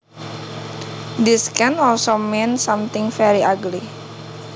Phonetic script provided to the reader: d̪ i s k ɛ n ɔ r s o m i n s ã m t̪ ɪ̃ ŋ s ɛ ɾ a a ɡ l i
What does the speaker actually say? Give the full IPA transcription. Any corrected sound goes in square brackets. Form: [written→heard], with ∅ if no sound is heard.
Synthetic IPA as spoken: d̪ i s k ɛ n ɔ [r→l] s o m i n s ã m t̪ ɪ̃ ŋ [s→f] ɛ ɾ [a→i] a ɡ l i